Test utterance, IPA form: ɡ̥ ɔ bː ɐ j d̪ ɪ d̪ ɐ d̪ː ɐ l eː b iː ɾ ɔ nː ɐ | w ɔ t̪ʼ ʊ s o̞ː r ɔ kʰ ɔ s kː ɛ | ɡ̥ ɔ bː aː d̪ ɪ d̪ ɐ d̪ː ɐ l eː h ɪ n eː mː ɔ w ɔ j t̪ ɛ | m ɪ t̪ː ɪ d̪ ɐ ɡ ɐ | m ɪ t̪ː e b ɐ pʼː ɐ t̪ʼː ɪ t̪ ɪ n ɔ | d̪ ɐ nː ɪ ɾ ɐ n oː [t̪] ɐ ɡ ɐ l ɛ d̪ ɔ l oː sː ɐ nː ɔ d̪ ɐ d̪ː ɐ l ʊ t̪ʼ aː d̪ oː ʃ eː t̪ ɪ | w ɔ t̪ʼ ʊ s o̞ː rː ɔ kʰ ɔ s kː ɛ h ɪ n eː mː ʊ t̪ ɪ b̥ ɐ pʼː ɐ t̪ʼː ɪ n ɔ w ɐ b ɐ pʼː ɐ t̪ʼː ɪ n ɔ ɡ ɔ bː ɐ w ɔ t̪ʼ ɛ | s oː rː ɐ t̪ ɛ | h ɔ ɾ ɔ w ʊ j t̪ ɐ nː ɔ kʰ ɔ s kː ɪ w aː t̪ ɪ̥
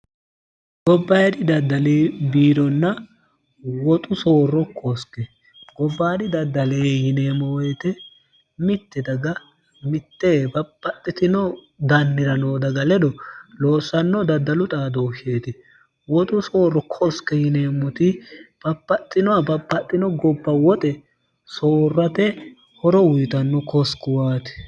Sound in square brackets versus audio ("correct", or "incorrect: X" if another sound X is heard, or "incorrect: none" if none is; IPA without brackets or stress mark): incorrect: d̪